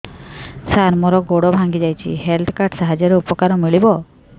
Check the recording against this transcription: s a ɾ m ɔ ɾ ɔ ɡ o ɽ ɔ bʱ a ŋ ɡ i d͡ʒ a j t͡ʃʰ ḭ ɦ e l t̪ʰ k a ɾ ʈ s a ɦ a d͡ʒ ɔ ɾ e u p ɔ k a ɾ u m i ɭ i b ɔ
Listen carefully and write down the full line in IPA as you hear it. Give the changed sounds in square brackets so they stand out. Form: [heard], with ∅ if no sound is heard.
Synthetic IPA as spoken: s a ɾ m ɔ ɾ ɔ ɡ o ɽ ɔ bʱ a ŋ ɡ i d͡ʒ a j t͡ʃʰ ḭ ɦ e l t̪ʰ k a ɾ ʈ s a ɦ a d͡ʒ ɔ ɾ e u p ɔ k a ɾ [ɔ] m i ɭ i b ɔ